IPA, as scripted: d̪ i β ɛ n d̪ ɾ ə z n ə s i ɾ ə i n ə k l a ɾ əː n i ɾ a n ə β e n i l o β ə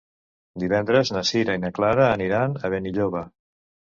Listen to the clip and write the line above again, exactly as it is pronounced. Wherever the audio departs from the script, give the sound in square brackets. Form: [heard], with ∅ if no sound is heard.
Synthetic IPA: d̪ i β ɛ n d̪ ɾ ə z n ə s i ɾ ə i n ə k l a ɾ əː n i ɾ a n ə β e n i [ʎ] o β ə